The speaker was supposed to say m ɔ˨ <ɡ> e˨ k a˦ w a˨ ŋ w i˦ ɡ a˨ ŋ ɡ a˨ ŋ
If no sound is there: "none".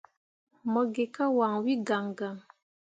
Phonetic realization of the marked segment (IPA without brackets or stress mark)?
ɡ